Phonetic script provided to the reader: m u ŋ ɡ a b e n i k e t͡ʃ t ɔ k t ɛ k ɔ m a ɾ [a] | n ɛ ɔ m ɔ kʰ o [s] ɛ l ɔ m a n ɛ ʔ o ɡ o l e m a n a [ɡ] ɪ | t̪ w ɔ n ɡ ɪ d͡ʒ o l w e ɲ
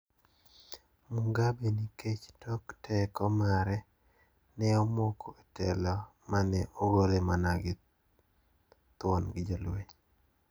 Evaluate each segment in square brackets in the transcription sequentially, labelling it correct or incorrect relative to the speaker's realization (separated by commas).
incorrect, incorrect, correct